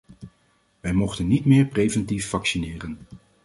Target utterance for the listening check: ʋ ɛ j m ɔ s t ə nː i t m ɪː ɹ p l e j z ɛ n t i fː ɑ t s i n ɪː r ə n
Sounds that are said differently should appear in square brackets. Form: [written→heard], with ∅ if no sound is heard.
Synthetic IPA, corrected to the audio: ʋ ɛ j m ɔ [s→χ] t ə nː i t m ɪː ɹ p [l→r] e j [z→v] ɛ n t i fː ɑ [t→k] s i n ɪː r ə n